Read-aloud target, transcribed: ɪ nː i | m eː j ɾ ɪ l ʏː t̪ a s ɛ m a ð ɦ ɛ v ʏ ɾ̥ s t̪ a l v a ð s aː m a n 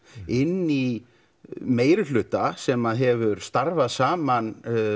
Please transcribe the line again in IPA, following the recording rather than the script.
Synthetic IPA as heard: ɪ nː i | m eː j ɾ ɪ l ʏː t̪ a s ɛ m a ð ɦ ɛ v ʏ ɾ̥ s t̪ a ɾ v a ð s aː m a n